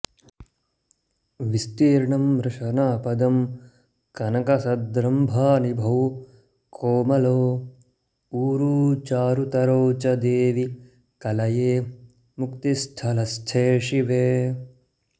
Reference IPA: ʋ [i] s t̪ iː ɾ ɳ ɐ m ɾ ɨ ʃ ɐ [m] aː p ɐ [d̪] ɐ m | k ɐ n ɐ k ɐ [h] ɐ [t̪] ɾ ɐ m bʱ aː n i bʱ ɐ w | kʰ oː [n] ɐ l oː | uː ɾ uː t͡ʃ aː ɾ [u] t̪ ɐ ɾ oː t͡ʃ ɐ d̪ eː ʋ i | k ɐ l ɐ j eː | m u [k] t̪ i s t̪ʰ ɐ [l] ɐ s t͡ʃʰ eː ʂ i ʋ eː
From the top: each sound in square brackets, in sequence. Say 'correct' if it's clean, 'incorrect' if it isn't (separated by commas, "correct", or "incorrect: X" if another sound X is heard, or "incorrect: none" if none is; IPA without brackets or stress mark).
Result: correct, incorrect: n, correct, incorrect: s, incorrect: d̪, incorrect: m, correct, correct, correct